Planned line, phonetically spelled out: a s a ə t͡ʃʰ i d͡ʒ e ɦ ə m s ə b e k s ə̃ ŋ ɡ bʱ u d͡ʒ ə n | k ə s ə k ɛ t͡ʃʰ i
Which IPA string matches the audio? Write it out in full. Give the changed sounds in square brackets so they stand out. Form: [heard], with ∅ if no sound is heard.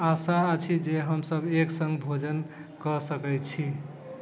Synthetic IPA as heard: a s a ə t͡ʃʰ i d͡ʒ e ɦ ə m s ə b e k s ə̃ ŋ ɡ bʱ [o] d͡ʒ ə n | k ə s ə k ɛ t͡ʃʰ i